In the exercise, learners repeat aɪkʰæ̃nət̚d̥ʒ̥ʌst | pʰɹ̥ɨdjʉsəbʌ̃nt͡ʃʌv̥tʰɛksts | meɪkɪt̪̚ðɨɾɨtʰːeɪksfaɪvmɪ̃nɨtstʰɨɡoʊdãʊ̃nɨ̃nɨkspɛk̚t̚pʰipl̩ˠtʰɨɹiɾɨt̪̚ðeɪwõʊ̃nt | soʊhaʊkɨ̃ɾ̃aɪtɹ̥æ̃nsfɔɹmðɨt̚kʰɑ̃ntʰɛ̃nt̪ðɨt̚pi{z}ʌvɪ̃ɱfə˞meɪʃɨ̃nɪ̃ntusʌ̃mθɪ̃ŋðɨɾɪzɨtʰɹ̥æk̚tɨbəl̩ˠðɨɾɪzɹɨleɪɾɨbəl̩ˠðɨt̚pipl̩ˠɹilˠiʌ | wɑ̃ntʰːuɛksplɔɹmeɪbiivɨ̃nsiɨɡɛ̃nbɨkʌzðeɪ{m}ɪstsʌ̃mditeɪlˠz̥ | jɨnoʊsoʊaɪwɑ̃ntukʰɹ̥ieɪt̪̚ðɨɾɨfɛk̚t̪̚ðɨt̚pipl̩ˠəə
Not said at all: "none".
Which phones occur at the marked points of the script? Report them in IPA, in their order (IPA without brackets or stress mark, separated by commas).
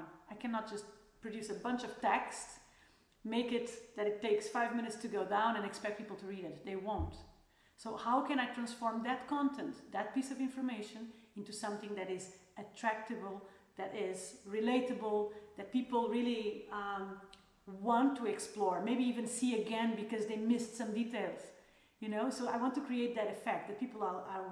s, m